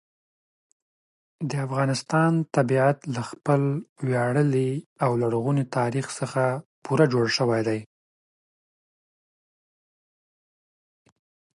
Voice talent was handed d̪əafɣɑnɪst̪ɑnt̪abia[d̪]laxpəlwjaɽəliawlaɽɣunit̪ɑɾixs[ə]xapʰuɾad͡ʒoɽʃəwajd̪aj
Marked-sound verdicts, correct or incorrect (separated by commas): incorrect, correct